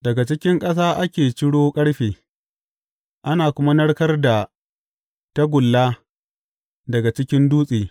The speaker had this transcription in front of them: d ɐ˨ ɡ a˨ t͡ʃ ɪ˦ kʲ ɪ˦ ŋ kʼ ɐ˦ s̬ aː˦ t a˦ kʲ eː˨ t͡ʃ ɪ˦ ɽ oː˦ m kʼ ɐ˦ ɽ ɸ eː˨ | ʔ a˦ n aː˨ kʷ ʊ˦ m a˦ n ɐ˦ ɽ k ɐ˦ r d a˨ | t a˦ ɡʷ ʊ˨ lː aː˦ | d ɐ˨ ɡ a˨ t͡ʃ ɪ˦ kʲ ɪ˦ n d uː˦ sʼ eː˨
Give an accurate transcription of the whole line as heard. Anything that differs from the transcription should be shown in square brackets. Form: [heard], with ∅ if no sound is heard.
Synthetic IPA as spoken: d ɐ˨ ɡ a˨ t͡ʃ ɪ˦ kʲ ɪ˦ ŋ kʼ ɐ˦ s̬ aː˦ [ʔ] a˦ kʲ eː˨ t͡ʃ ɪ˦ ɽ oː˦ [∅] kʼ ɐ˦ ɽ ɸ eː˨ | ʔ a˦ n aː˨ kʷ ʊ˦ m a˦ n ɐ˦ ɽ k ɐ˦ r d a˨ | t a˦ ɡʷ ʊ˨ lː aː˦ | d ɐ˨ ɡ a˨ t͡ʃ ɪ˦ kʲ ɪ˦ n d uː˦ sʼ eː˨